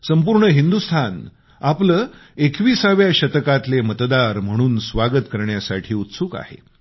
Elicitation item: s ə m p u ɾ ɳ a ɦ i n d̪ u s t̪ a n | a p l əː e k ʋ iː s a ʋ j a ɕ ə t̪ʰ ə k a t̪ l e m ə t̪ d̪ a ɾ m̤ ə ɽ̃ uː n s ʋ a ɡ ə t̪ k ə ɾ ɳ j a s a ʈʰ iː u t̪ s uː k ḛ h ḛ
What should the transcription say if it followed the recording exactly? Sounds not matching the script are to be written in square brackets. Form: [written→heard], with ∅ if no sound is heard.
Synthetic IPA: s ə m p u ɾ ɳ [a→ə] ɦ i n d̪ u s [t̪→t̪ʰ] a n | a p l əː e k ʋ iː s a ʋ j a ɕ ə [t̪ʰ→t̪] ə k a t̪ l e m ə t̪ d̪ a ɾ m̤ ə ɽ̃ uː n s ʋ a ɡ ə t̪ k ə ɾ ɳ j a s a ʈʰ iː u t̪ s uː k [ḛ→a̰] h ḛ

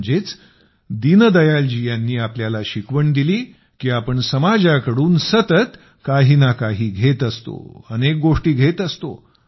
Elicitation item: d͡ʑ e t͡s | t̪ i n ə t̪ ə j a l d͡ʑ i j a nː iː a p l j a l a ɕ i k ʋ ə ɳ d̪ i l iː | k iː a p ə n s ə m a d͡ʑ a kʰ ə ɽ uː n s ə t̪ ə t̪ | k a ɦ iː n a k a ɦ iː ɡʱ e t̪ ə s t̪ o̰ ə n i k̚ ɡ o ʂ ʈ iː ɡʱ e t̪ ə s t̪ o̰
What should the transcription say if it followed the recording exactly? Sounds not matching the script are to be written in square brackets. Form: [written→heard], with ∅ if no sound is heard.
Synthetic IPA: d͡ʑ e t͡s | [t̪→d̪] i n ə [t̪→d̪] ə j a l d͡ʑ i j a nː iː a p l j a l a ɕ i k ʋ ə ɳ d̪ i l iː | k iː a p ə [n→ɳ] s ə m a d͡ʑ a [kʰ→k] ə ɽ uː n s ə t̪ ə t̪ | k a ɦ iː n a k a ɦ iː ɡʱ e t̪ ə s t̪ o̰ ə n [i→e] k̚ ɡ o ʂ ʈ iː ɡʱ e t̪ ə s t̪ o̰

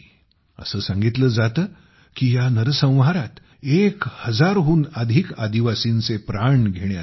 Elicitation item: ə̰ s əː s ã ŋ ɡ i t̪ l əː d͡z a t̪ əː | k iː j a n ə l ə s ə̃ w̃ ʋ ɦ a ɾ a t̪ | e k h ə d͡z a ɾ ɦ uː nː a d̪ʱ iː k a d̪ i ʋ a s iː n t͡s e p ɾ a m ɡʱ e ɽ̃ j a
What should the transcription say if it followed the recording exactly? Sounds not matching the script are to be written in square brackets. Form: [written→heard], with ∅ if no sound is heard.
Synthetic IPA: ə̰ s əː s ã ŋ ɡ i t̪ l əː d͡z a t̪ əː | k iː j a n ə [l→ɾ] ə s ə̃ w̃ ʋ ɦ a ɾ a t̪ | e k h ə d͡z a ɾ ɦ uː [nː→n] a d̪ʱ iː k a d̪ i ʋ a s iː n t͡s e p ɾ a [m→ɳ] ɡʱ e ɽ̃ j a

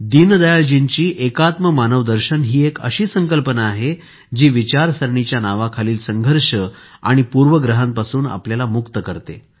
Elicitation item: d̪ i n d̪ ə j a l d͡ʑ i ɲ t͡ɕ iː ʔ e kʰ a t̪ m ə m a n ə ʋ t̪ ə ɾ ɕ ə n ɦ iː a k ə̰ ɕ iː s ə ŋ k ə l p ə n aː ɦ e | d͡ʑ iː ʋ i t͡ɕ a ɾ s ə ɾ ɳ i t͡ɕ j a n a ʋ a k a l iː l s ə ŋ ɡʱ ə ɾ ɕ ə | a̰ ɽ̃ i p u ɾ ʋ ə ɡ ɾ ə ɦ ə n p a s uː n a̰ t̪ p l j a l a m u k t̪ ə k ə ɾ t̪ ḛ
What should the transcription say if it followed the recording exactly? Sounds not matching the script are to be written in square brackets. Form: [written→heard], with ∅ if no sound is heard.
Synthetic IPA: d̪ i n d̪ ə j a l d͡ʑ i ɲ t͡ɕ iː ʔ e [kʰ→k] a t̪ m ə m a n ə ʋ [t̪→d̪] ə ɾ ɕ ə n ɦ iː [a→e] k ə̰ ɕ iː s ə ŋ k ə l p ə n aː ɦ e | d͡ʑ iː ʋ i t͡ɕ a ɾ s ə ɾ ɳ i t͡ɕ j a n a ʋ a [k→kʰ] a l iː l s ə ŋ ɡʱ ə ɾ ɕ ə | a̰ ɽ̃ i p u ɾ ʋ ə ɡ ɾ ə ɦ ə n p a s uː n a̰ [t̪→∅] p l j a l a m u k t̪ ə k ə ɾ t̪ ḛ

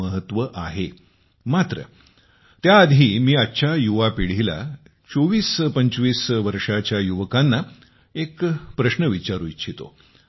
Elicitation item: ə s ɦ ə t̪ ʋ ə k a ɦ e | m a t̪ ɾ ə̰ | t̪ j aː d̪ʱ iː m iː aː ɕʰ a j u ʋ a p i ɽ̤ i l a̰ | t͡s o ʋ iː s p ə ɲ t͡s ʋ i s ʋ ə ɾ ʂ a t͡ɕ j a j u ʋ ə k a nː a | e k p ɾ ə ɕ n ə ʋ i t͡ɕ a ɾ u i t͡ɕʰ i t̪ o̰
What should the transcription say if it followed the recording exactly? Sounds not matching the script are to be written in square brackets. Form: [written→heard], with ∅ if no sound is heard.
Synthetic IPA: ə [s→∅] ɦ ə t̪ ʋ ə [k→ʔ] a ɦ e | m a t̪ ɾ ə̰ | t̪ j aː d̪ʱ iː m iː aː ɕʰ a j u ʋ a p i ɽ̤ i l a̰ | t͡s o ʋ iː s p ə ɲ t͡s ʋ [i→iː] s ʋ ə ɾ ʂ a t͡ɕ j a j u ʋ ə k a nː a | e k p ɾ ə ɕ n ə ʋ i t͡ɕ a ɾ u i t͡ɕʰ i t̪ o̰

